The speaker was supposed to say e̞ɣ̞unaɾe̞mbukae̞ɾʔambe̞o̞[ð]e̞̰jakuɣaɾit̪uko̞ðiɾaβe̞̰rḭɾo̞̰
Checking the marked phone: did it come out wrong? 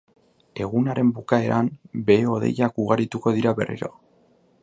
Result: no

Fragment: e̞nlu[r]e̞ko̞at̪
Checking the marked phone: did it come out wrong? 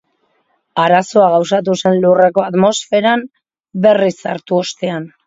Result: no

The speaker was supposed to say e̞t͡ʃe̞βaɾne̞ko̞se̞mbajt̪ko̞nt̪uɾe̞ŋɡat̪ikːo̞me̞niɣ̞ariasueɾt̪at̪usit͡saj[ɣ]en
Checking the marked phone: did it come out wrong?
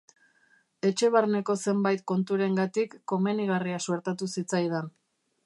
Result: yes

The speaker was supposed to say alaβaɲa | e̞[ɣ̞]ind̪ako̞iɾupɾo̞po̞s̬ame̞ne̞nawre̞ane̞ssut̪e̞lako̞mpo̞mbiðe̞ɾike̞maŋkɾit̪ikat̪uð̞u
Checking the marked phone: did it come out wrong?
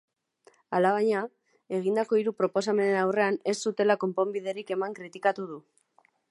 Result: no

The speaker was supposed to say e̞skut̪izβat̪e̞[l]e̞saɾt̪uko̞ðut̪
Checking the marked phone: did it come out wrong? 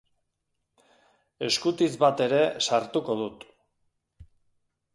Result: yes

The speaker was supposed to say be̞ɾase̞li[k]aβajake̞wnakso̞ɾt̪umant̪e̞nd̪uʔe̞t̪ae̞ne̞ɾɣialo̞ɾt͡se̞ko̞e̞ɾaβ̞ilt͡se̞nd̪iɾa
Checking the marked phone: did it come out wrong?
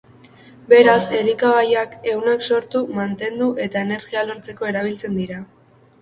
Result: no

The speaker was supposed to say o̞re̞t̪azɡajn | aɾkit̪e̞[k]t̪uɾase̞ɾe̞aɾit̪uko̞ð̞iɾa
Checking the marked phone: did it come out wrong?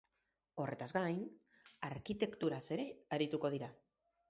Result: no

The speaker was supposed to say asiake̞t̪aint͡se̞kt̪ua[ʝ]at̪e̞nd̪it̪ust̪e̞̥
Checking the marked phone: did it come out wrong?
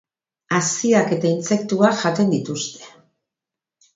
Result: no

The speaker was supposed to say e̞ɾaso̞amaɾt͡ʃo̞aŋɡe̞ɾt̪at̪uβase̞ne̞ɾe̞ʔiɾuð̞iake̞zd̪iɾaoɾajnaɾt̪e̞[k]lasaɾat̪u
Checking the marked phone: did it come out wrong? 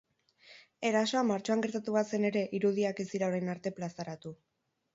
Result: yes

